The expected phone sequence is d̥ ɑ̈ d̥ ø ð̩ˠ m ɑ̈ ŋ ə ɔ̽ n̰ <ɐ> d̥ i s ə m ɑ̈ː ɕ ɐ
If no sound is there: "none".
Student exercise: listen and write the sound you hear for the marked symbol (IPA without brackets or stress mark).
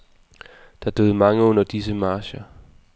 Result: ɐ